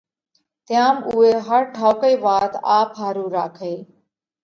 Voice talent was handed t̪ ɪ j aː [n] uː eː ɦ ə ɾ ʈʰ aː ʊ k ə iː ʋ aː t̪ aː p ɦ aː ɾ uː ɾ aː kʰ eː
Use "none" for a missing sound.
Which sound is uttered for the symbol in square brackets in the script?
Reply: m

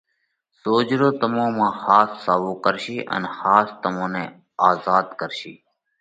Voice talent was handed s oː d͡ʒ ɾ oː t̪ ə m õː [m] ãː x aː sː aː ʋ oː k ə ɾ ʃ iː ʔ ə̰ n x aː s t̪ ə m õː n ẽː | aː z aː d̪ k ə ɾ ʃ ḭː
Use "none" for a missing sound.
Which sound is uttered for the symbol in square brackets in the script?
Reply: m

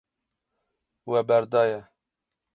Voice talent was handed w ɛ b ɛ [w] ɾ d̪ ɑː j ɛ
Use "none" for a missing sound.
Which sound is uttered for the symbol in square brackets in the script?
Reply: none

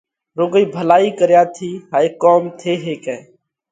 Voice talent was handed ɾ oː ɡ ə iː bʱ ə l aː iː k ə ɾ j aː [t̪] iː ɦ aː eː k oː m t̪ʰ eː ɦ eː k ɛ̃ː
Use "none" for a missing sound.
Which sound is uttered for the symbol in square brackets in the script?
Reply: t̪ʰ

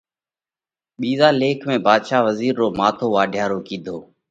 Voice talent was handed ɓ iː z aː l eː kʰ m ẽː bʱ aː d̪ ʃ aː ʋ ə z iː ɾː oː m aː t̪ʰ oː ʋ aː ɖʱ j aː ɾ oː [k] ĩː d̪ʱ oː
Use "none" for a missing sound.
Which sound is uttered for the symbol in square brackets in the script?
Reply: k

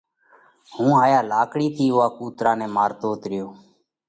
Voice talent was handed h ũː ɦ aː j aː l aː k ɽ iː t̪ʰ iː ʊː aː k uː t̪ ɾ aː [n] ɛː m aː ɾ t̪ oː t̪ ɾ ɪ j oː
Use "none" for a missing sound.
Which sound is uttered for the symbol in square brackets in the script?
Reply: n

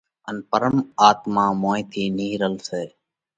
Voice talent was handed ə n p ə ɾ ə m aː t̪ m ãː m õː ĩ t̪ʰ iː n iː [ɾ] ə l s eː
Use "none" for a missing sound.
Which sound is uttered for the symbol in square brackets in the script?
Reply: ɾ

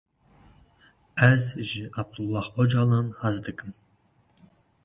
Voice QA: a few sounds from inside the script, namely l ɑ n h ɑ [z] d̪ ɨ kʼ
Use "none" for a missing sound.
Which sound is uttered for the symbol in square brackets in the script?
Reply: z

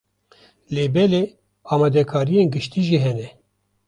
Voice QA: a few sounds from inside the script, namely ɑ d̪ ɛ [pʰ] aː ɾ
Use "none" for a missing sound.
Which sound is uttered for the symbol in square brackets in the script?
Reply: kʰ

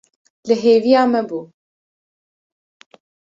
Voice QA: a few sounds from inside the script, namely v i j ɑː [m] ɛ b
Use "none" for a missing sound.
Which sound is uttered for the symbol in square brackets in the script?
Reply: m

